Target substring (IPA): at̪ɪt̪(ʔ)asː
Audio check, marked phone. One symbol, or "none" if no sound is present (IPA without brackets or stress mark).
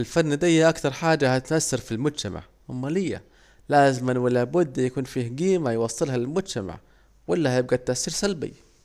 ʔ